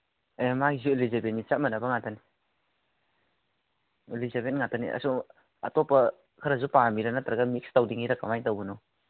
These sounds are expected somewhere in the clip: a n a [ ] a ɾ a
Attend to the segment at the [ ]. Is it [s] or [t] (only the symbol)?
t